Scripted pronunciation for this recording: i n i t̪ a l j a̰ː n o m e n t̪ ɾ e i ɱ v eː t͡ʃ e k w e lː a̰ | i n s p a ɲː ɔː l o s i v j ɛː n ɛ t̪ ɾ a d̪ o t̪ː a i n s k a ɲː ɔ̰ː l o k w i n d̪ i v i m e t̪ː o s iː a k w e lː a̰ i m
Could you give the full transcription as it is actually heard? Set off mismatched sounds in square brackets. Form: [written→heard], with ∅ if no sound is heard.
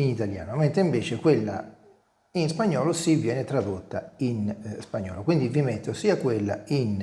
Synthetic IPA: i n i t̪ a l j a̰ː n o m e n t̪ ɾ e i ɱ v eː t͡ʃ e k w e lː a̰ | i n s p a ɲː ɔː l o s i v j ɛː n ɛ t̪ ɾ a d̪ o t̪ː a i n s [k→p] a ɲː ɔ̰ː l o k w i n d̪ i v i m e t̪ː o s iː a k w e lː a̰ i [m→n]

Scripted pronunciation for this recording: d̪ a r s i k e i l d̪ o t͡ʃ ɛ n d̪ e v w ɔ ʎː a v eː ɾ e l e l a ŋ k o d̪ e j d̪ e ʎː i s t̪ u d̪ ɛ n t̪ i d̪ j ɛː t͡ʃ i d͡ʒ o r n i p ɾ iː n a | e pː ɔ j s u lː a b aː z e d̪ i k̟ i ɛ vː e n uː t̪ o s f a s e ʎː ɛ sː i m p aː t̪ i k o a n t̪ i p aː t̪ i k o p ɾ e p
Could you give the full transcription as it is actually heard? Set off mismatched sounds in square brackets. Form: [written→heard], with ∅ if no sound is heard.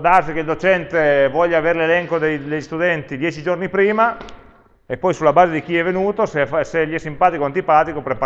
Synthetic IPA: d̪ a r s i k e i l d̪ o t͡ʃ ɛ n [d̪→t̪] e v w ɔ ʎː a v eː ɾ e l e l [a→ɛ] ŋ k o d̪ e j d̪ e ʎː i s t̪ u d̪ ɛ n t̪ i d̪ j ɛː t͡ʃ i d͡ʒ o r n i p ɾ iː [n→m] a | e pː ɔ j s u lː a b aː z e d̪ i k̟ i ɛ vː e n uː t̪ o s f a s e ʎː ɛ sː i m p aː t̪ i k o a n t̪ i p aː t̪ i k o p ɾ e p

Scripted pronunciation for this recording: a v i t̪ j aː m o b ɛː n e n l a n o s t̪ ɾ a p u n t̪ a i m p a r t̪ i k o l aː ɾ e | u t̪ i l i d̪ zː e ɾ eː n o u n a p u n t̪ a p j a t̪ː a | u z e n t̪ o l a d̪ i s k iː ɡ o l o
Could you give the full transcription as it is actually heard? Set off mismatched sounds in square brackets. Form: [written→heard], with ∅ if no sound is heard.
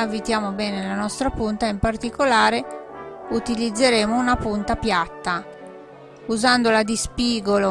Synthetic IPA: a v i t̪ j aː m o b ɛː n e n l a n [o→ɔ] s t̪ ɾ a p u n t̪ a i m p a r t̪ i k o l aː ɾ e | u t̪ i l i d̪ zː e ɾ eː [n→m] o u n a p u n t̪ a p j a t̪ː a | u z [e→a] n [t̪→d̪] o l a d̪ i s [k→p] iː ɡ o l o

